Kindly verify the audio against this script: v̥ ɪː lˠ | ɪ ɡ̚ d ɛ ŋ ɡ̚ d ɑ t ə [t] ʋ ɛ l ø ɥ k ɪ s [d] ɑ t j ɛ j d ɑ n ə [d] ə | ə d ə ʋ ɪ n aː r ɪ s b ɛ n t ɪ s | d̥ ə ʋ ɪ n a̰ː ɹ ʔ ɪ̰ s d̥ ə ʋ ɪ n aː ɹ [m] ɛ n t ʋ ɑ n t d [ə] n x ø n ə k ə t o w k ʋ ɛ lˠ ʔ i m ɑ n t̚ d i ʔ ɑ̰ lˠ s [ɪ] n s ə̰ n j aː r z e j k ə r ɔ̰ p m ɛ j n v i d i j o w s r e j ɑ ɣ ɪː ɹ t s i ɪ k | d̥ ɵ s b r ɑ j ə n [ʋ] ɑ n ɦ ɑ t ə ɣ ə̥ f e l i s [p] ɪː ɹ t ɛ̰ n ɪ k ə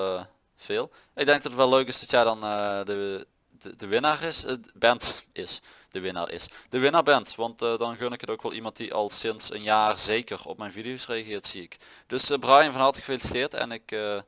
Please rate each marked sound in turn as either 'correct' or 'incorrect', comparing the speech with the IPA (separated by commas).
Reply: correct, correct, correct, incorrect, incorrect, correct, incorrect, incorrect